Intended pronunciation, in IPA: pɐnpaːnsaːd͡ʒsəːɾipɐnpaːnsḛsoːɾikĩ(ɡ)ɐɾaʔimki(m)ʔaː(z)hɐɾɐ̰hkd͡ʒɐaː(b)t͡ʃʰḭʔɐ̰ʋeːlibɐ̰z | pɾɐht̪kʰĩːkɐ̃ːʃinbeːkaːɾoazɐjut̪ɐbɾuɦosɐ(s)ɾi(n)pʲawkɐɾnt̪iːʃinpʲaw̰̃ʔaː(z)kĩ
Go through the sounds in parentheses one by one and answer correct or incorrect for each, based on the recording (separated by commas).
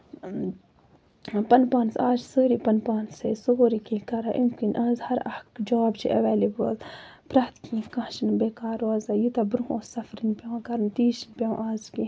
incorrect, incorrect, correct, correct, incorrect, correct, correct